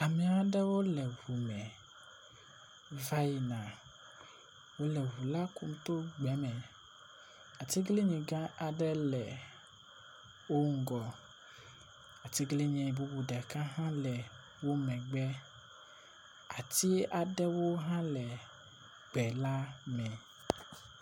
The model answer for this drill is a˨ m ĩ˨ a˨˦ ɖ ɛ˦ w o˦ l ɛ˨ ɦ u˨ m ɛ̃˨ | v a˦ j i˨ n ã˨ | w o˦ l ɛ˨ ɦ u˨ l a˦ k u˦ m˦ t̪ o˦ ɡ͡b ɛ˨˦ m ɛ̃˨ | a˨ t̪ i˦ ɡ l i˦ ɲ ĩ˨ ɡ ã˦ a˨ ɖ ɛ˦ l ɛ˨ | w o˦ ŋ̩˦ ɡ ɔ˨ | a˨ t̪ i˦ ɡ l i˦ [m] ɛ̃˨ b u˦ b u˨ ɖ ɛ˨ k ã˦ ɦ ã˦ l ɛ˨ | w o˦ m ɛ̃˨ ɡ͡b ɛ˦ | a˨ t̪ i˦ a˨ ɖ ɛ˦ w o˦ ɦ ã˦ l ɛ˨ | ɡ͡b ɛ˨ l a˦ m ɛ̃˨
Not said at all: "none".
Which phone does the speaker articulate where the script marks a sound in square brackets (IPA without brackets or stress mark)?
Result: ɲ